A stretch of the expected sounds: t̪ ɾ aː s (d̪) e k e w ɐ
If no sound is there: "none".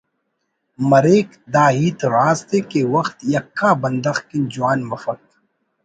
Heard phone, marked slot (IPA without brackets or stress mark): t̪